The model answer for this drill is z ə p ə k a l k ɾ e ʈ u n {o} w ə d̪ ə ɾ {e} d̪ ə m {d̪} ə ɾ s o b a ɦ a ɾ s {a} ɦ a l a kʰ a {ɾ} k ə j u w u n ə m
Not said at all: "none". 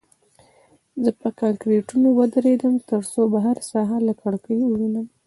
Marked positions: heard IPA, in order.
o, e, t̪, ɑ, ɽ

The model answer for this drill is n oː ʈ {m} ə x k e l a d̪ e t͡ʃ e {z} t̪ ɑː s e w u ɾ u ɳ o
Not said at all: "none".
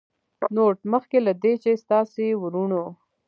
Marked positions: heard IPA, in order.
m, s

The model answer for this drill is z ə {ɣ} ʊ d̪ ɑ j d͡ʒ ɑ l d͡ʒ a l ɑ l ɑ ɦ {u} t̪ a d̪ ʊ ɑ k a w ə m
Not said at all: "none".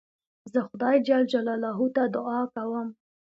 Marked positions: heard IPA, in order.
x, u

